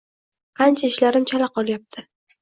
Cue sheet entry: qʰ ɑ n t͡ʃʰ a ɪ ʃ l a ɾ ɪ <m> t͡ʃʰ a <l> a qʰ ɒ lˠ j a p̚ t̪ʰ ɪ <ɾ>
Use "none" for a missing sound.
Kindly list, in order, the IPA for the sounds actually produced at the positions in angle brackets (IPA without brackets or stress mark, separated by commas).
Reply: m, l, none